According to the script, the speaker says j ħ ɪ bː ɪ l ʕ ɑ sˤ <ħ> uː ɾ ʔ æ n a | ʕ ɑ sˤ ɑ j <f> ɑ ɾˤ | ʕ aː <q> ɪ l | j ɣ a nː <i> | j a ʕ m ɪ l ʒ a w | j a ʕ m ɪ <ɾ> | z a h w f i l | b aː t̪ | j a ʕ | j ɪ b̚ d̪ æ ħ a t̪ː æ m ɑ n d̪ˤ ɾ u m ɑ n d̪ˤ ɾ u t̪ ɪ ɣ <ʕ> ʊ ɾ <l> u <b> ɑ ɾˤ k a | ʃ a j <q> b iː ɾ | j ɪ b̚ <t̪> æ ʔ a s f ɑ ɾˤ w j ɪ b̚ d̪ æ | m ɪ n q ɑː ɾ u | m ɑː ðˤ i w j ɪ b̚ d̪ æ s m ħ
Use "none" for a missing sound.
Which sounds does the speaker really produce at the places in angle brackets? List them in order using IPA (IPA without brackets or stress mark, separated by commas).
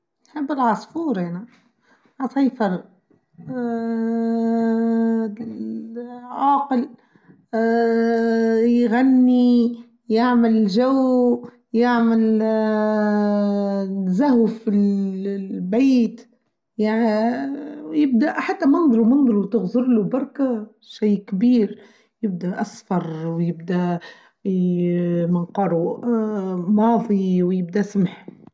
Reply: f, f, q, i, l, z, l, b, k, d̪